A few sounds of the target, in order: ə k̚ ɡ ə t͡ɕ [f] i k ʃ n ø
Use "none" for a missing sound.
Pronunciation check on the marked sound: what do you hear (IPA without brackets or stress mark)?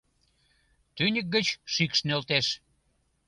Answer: ʃ